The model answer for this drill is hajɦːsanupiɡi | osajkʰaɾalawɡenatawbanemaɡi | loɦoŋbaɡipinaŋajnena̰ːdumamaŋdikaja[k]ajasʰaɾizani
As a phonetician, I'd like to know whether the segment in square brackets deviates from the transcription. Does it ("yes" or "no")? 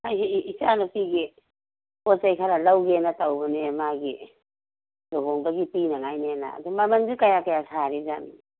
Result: no